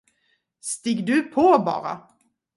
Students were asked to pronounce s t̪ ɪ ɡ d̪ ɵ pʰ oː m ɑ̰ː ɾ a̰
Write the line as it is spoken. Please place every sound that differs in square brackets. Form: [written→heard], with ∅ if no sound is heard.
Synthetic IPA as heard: s t̪ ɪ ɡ d̪ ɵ pʰ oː [m→b] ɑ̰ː ɾ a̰